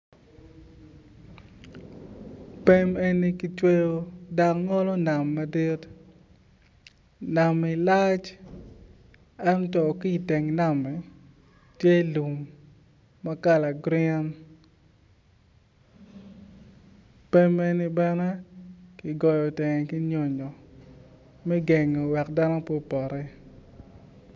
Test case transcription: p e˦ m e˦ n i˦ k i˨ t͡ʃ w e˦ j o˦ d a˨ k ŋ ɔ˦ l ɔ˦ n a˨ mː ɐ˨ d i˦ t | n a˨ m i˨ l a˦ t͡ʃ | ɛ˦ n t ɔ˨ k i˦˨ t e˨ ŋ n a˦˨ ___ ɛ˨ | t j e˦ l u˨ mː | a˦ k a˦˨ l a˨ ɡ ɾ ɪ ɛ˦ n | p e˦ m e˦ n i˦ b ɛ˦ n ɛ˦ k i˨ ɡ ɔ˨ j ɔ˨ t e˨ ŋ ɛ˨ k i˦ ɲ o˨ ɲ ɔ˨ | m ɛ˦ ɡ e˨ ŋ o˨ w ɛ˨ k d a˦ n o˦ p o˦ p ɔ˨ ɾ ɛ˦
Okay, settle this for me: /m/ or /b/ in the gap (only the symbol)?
m